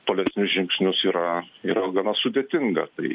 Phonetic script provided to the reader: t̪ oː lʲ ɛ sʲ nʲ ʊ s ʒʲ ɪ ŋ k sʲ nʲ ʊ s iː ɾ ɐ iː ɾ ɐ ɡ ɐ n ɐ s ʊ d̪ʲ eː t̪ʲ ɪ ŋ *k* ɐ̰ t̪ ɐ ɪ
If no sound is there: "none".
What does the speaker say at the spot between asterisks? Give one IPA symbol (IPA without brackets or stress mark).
ɡ